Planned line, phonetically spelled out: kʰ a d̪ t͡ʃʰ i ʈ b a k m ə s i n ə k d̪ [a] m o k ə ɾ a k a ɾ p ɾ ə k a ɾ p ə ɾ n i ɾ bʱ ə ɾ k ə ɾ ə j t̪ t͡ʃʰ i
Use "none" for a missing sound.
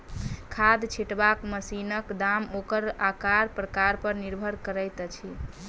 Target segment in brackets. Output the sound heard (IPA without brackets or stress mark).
a